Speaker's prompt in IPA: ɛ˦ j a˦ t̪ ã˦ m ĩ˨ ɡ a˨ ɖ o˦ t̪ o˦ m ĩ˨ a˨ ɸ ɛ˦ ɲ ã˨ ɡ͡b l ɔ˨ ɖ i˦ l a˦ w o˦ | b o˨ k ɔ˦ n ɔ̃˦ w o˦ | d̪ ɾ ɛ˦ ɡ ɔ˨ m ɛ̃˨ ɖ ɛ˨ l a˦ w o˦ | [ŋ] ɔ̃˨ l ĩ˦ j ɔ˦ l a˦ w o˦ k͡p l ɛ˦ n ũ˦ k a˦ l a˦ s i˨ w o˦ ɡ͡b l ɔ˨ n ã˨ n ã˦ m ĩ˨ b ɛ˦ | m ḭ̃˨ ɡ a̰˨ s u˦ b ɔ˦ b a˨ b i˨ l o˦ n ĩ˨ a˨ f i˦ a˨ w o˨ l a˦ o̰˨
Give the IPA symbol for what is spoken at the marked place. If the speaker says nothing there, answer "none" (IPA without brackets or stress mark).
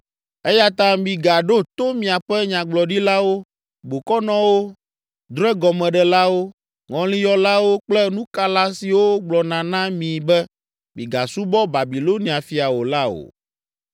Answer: ŋ